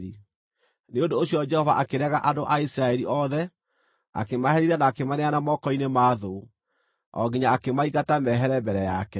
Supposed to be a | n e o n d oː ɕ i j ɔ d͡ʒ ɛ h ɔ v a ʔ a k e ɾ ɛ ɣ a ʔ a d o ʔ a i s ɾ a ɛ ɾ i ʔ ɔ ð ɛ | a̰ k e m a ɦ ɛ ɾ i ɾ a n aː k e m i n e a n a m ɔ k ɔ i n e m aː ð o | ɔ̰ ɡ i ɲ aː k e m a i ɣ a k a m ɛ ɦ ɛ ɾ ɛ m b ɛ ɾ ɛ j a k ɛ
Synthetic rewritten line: i | n e o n d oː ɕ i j ɔ d͡ʒ ɛ h ɔ v a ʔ a k e ɾ ɛ ɣ a ʔ a d o ʔ a i s ɾ a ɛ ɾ i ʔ ɔ ð ɛ | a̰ k e m a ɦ ɛ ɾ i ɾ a n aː k e m a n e a n a m ɔ k ɔ i n e m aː ð o | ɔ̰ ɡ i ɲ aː k e m a i ɣ a t a m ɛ ɦ ɛ ɾ ɛ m b ɛ ɾ ɛ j a k ɛ